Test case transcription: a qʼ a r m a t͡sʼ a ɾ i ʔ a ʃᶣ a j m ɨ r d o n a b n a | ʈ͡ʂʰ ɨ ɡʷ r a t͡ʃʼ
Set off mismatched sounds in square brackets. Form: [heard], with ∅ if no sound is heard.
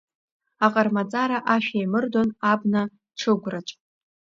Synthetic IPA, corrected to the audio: a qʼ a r m a t͡sʼ a ɾ [a] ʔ a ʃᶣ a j m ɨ r d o n a b n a | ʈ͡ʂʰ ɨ ɡʷ r a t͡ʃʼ